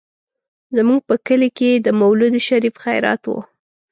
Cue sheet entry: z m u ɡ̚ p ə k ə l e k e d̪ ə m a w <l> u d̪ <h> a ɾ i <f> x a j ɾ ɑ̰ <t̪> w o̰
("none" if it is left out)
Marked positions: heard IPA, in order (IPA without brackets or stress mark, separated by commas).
l, ʃ, f, t̪